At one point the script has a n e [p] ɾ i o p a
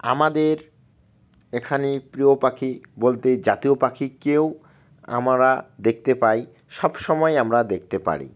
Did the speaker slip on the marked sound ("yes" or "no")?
no